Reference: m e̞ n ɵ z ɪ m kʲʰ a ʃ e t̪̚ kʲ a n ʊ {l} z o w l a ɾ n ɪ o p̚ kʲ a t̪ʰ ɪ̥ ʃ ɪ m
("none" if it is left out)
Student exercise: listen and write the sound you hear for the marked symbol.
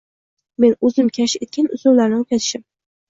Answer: none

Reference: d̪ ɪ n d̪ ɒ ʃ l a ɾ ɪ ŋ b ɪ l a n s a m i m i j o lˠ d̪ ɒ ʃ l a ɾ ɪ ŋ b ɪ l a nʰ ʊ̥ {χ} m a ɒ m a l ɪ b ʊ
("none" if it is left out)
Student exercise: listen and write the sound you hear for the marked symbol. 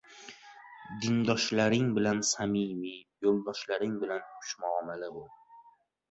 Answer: ʃ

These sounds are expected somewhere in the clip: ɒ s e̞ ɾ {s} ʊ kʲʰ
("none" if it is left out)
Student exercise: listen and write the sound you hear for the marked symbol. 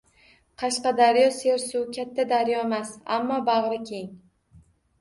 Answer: s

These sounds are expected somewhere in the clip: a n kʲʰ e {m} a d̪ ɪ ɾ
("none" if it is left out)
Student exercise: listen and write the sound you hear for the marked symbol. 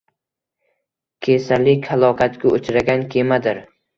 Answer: m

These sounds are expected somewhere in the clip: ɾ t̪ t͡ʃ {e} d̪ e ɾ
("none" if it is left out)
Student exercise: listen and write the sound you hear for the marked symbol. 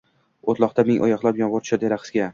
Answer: a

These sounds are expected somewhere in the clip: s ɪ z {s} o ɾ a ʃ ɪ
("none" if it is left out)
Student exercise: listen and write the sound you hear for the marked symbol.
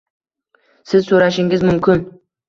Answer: s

